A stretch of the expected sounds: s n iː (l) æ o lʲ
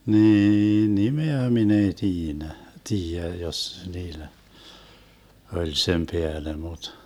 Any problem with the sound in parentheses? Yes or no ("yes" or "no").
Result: no